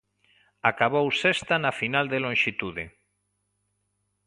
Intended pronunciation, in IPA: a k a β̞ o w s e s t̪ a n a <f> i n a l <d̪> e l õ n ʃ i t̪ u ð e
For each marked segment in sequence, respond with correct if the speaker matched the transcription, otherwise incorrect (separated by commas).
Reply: correct, correct